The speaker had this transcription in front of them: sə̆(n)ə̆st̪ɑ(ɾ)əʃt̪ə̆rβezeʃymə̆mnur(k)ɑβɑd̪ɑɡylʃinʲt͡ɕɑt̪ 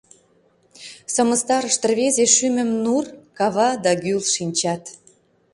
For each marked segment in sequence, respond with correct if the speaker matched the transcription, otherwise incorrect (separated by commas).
incorrect, correct, correct